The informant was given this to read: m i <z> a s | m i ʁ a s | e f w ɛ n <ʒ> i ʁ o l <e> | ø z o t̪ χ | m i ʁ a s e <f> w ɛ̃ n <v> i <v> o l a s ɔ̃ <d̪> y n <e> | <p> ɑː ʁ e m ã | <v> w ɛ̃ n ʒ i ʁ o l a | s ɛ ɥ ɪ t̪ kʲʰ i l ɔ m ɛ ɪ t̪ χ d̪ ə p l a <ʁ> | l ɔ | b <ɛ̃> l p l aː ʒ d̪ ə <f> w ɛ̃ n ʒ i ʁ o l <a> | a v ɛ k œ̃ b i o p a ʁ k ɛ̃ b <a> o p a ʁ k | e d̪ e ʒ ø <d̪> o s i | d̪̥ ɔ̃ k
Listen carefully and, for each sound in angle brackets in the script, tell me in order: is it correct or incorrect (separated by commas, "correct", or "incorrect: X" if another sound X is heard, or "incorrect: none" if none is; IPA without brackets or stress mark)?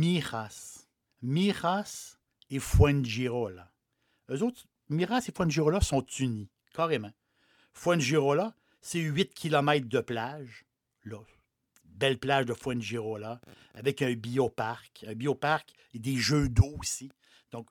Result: incorrect: ʁ, correct, incorrect: a, correct, incorrect: ʒ, incorrect: ʁ, incorrect: t̪, incorrect: i, incorrect: k, incorrect: f, incorrect: ʒ, incorrect: ɛ, correct, correct, incorrect: i, correct